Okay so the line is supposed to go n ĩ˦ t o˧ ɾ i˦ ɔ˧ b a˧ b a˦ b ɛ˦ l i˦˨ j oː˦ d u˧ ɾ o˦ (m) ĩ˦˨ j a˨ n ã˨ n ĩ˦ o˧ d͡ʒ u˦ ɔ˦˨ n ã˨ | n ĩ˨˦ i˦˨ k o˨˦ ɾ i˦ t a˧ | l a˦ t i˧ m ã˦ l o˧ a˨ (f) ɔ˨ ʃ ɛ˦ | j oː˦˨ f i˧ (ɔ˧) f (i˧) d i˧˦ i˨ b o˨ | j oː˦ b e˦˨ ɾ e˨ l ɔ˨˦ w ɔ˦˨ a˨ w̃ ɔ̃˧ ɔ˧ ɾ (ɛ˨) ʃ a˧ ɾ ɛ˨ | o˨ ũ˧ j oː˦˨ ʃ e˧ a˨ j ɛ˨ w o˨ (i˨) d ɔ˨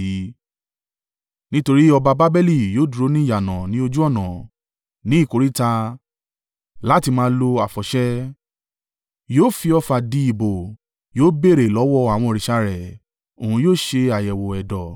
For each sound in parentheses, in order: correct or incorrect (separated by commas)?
incorrect, correct, correct, incorrect, incorrect, incorrect